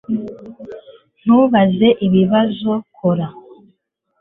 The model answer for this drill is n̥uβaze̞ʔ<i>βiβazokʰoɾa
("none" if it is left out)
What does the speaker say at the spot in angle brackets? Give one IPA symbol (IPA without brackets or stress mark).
i